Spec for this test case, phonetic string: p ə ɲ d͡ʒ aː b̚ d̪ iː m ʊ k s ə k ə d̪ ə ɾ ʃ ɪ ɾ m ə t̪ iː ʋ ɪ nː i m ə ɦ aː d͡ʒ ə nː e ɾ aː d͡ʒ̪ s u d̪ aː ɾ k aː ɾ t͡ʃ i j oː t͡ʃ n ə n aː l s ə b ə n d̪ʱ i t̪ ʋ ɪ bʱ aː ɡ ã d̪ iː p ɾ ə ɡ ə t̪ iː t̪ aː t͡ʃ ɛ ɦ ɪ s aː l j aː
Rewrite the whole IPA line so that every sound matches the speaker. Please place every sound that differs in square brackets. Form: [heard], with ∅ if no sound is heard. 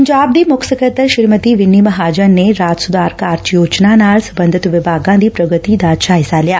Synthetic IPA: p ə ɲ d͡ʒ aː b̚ d̪ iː m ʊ k s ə k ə [t̪] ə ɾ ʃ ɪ ɾ m ə t̪ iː ʋ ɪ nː i m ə ɦ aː d͡ʒ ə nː e ɾ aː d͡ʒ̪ s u d̪ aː ɾ k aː ɾ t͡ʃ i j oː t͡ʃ n [a] n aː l s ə b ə n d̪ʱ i t̪ ʋ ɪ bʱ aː ɡ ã d̪ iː p ɾ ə ɡ ə t̪ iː [d̪] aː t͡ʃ [a] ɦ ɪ s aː l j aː